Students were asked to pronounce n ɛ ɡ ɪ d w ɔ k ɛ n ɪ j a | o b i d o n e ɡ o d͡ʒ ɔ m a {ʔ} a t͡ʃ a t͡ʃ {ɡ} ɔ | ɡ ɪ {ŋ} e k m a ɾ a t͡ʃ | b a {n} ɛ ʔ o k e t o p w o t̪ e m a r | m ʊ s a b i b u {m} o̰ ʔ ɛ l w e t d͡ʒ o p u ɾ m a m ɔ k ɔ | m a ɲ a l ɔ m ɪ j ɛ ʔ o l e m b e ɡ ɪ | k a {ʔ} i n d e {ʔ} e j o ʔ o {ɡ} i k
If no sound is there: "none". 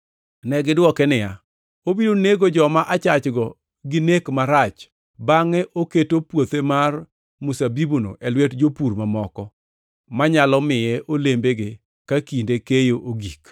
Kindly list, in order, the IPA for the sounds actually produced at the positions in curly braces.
ʔ, ɡ, n, ŋ, n, k, k, ɡ

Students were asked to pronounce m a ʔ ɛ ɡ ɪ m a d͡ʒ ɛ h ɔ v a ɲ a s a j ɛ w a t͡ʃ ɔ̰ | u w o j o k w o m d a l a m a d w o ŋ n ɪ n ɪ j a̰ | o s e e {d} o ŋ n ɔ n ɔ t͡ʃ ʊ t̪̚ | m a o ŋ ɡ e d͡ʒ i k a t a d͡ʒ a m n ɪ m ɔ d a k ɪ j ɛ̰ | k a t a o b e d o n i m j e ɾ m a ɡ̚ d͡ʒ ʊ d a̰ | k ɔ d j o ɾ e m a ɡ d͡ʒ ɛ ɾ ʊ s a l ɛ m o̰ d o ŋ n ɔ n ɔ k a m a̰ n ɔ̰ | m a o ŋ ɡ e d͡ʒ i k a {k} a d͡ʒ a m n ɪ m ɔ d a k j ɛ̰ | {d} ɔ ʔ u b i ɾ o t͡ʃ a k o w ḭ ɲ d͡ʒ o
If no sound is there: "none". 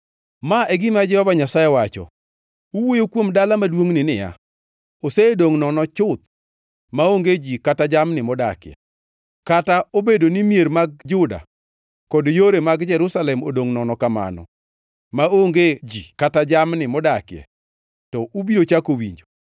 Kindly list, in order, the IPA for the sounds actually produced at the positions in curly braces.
d, t, t

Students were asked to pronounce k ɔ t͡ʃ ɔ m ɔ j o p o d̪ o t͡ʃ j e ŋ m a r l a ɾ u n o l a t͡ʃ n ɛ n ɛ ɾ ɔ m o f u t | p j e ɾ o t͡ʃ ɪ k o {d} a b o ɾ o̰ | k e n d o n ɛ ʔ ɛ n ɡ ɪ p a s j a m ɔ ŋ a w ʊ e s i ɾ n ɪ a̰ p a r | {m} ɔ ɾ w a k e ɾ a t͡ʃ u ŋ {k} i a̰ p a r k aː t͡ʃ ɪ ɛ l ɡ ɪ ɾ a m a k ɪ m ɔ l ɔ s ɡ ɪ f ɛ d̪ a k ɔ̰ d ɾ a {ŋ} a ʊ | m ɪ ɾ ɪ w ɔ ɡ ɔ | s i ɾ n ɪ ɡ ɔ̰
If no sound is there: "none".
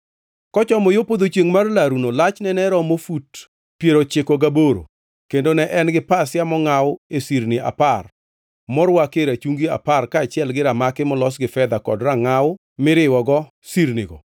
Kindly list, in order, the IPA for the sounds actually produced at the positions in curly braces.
ɡ, m, ɡ, ŋ

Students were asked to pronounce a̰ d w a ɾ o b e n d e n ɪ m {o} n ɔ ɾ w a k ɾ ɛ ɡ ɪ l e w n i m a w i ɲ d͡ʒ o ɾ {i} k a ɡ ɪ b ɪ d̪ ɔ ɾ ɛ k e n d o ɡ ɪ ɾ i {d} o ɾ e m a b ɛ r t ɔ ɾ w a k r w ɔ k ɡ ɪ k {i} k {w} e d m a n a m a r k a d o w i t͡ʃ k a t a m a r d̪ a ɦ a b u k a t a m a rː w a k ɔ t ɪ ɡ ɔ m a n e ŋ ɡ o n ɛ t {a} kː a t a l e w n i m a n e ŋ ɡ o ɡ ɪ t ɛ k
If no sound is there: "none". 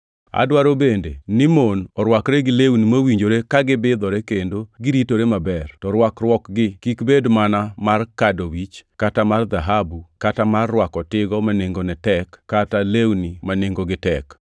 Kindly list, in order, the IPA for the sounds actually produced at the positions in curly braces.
o, e, t, i, b, ɛ

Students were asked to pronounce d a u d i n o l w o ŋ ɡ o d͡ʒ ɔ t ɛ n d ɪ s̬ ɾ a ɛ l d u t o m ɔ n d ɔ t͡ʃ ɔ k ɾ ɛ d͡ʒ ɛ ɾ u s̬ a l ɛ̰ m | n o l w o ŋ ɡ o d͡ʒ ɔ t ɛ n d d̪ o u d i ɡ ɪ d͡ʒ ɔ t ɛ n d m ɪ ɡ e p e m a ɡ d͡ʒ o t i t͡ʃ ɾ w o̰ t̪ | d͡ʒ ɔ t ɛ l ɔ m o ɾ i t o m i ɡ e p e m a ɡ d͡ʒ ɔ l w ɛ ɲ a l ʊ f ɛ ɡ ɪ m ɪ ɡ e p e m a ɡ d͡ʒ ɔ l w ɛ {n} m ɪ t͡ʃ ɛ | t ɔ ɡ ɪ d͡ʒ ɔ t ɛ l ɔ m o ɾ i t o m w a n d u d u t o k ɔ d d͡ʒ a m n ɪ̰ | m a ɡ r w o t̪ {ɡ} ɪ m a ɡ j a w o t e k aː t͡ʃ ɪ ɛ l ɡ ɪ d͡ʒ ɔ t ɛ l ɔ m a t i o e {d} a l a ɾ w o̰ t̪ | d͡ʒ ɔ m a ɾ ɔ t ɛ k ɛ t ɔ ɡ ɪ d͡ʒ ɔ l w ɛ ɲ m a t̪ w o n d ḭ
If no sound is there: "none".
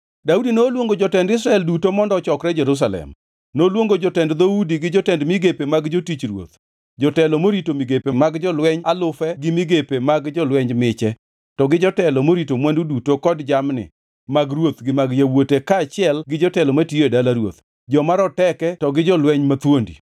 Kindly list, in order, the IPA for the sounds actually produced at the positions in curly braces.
ɲ, ɡ, d

